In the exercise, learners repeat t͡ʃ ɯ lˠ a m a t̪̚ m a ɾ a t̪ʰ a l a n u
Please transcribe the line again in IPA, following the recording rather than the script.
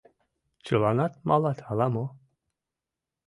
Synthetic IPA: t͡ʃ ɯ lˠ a n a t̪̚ m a l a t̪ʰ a l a m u